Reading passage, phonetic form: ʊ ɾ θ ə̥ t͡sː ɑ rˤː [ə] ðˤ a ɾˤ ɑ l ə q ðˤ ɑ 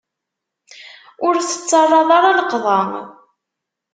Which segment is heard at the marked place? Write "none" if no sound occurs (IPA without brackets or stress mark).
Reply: ɑ